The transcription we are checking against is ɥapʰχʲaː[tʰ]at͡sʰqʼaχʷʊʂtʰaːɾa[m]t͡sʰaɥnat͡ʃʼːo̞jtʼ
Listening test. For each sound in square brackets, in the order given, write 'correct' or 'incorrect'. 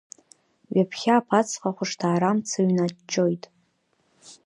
incorrect: pʰ, correct

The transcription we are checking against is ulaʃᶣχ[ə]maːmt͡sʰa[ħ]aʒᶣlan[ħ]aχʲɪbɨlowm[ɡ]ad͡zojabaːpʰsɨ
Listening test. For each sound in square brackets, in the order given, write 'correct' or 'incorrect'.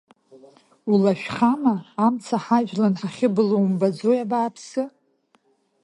incorrect: a, correct, correct, incorrect: b

